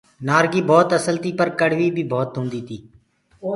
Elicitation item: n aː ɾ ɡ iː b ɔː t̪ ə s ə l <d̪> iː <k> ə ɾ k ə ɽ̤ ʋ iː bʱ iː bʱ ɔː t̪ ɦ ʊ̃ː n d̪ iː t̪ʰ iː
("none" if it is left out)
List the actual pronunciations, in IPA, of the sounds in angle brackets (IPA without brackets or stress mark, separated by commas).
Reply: t̪, p